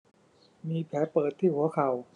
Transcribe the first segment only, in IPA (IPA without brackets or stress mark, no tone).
m